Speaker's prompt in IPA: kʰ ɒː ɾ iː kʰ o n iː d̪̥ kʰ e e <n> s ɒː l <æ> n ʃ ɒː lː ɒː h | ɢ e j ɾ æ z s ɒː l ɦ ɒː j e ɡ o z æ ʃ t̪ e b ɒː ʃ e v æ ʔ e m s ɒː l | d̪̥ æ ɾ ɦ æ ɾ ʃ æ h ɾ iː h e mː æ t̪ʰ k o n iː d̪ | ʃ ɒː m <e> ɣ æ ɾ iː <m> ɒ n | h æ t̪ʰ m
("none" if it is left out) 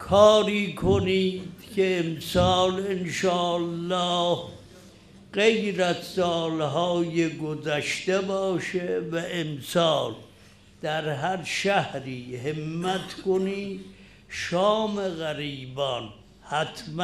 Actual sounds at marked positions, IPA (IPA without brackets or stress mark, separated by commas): m, e, e, b